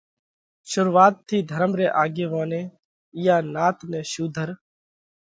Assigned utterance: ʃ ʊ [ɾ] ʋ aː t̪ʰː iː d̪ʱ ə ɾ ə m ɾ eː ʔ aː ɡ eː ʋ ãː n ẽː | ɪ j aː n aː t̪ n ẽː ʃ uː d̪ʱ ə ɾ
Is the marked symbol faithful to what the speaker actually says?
yes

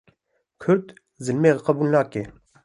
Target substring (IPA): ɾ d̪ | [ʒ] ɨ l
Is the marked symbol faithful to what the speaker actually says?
no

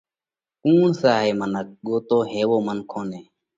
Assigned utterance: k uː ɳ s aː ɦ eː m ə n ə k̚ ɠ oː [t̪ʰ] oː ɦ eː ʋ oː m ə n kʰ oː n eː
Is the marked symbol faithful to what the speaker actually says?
no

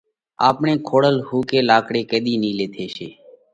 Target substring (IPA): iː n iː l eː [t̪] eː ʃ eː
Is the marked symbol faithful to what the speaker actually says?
no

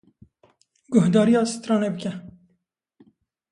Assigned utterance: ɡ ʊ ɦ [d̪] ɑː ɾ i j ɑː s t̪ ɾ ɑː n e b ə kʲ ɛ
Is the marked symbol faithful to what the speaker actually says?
yes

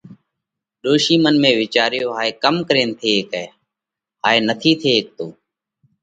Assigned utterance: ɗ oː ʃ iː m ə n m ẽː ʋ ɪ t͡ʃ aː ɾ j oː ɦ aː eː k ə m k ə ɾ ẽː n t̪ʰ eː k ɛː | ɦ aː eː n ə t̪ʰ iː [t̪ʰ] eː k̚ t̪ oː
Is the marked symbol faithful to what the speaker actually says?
yes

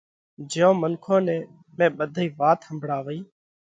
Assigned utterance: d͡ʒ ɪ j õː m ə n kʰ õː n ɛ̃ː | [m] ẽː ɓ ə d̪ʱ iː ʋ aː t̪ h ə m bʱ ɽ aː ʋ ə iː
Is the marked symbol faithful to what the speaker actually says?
yes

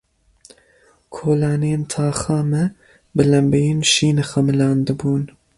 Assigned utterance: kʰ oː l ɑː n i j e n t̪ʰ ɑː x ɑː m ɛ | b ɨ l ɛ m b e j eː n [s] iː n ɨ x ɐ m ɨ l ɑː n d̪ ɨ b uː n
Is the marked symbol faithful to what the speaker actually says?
no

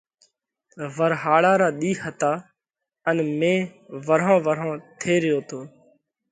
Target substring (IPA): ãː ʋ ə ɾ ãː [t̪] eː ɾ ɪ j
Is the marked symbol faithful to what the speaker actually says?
no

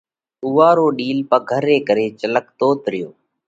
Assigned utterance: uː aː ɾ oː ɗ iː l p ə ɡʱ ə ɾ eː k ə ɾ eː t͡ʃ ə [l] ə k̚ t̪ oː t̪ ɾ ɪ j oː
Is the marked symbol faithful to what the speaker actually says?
yes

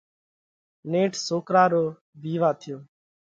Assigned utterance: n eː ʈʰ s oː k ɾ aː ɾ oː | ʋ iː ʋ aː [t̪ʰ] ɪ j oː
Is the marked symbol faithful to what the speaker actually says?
yes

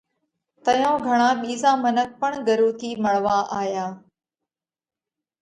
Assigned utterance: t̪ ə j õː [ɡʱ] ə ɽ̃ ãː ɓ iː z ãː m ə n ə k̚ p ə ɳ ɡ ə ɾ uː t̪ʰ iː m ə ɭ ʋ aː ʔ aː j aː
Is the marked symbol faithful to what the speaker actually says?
yes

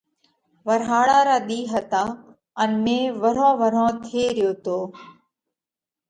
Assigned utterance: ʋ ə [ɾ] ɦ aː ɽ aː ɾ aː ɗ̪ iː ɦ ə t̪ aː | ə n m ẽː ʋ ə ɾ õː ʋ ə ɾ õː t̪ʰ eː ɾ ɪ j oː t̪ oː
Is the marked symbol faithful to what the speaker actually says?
yes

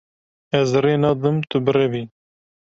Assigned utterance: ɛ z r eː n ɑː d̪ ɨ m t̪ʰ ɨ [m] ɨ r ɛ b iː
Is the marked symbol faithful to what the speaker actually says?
no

